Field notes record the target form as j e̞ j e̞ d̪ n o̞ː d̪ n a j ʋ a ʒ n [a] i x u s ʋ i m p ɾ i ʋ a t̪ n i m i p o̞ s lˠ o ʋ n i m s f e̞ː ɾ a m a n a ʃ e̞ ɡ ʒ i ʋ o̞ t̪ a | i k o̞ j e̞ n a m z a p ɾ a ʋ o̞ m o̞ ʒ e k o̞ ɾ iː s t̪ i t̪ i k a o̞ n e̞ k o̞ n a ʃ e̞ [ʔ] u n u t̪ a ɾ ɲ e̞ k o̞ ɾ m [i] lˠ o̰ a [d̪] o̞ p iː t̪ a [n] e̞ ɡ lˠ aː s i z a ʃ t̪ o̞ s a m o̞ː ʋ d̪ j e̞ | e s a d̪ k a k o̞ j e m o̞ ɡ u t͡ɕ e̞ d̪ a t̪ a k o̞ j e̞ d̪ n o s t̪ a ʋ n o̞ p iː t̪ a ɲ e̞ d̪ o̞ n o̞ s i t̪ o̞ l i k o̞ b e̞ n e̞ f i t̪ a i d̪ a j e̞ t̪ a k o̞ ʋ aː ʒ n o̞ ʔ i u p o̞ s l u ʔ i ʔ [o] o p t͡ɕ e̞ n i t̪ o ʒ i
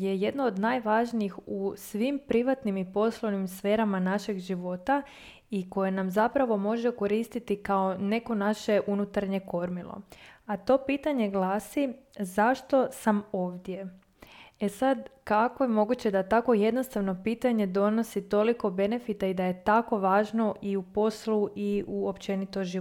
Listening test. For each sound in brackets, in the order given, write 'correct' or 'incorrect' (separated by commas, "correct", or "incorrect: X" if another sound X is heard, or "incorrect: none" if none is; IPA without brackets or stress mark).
incorrect: i, correct, correct, incorrect: t̪, incorrect: ɲ, incorrect: u